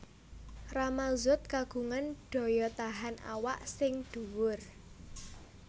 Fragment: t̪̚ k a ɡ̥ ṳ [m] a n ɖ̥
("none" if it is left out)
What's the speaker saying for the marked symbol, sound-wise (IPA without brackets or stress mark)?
ŋ